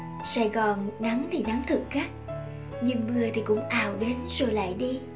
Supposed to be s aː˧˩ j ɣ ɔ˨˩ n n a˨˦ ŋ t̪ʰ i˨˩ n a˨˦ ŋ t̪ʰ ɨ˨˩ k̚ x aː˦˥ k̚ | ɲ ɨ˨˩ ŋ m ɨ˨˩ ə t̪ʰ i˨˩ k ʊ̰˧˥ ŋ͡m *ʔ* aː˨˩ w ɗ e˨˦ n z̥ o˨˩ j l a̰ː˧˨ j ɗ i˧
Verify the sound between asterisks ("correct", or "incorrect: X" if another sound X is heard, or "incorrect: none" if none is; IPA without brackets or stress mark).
correct